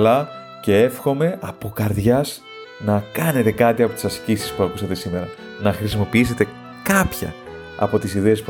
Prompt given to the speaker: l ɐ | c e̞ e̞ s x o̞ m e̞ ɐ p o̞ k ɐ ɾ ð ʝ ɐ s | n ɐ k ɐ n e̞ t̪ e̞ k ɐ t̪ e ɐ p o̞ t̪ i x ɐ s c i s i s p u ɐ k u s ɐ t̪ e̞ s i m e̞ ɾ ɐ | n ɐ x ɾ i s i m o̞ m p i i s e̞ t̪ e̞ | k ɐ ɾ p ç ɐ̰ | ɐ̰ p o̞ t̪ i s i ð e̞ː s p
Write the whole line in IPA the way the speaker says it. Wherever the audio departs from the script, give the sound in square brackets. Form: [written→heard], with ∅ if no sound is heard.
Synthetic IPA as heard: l ɐ | c e̞ e̞ [s→f] x o̞ m e̞ ɐ p o̞ k ɐ ɾ ð ʝ ɐ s | n ɐ k ɐ n e̞ t̪ e̞ k ɐ t̪ [e→i] ɐ p o̞ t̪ i [x→s] ɐ s c i s i s p u ɐ k u s ɐ t̪ e̞ s i m e̞ ɾ ɐ | n ɐ x ɾ i s i m o̞ [m→∅] p i i s e̞ t̪ e̞ | k ɐ [ɾ→∅] p ç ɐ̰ | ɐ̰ p o̞ t̪ i s i ð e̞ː s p